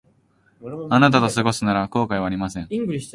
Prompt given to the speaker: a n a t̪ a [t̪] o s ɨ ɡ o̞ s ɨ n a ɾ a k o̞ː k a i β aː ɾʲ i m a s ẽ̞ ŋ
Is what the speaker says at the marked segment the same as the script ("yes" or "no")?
yes